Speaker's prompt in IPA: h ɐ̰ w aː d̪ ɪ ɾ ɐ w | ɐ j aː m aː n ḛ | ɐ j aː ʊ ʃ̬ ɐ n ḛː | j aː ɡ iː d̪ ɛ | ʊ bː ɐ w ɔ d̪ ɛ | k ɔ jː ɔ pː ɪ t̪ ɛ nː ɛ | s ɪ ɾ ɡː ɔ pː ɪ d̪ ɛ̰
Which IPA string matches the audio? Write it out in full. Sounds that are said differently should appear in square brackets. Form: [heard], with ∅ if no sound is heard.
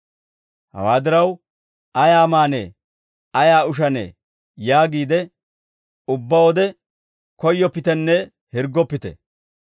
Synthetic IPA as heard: h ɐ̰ w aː d̪ ɪ ɾ ɐ w | ɐ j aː m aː n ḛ | ɐ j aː ʊ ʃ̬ ɐ n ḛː | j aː ɡ iː d̪ ɛ | ʊ bː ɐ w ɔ d̪ ɛ | k ɔ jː ɔ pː ɪ t̪ ɛ nː ɛ | [h] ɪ ɾ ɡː ɔ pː ɪ [t̪] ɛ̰